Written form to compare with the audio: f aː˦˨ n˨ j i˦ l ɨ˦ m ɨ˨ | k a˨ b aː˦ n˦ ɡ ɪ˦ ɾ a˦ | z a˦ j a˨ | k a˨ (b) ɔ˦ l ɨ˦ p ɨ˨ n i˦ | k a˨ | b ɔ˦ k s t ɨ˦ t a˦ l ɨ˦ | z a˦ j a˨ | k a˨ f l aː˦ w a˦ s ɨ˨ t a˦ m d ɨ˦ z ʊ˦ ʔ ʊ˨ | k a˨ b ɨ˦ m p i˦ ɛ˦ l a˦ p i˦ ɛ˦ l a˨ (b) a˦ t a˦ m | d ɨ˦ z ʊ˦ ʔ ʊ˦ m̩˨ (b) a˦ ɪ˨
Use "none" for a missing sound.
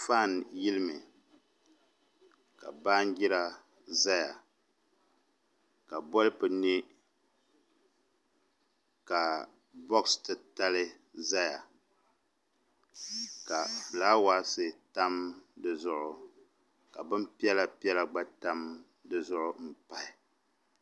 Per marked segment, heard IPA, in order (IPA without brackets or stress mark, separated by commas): b, ɡ͡b, p